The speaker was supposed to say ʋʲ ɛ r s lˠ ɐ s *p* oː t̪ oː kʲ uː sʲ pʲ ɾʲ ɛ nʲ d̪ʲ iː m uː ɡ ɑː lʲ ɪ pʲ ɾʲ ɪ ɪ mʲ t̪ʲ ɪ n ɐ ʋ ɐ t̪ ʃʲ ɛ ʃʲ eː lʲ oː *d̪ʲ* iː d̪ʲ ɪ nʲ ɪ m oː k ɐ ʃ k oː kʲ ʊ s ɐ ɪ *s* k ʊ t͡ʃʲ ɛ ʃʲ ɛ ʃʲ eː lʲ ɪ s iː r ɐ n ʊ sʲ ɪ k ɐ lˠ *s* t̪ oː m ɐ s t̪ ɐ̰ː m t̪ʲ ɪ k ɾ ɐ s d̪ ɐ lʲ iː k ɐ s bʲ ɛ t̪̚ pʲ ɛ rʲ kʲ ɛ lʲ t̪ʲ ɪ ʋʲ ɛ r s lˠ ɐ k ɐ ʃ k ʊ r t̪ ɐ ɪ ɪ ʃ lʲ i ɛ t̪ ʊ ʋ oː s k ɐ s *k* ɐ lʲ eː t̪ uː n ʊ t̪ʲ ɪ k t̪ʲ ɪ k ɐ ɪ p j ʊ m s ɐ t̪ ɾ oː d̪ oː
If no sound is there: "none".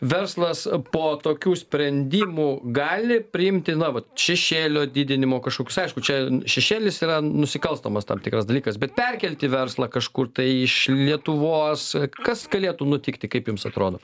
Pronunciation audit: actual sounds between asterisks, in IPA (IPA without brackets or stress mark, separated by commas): p, d̪ʲ, ʃ, s, ɡ